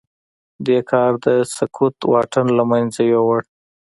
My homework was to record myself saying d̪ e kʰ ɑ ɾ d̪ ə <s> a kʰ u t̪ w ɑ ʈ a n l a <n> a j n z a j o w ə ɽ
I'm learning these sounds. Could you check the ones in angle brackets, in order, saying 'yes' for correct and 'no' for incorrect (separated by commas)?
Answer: yes, no